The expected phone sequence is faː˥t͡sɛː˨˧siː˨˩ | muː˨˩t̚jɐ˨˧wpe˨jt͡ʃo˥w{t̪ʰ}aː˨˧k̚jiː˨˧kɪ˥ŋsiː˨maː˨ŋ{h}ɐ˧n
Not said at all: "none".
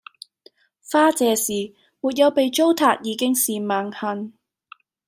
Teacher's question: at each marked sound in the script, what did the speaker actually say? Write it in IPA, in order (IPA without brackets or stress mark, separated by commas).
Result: t̪ʰ, h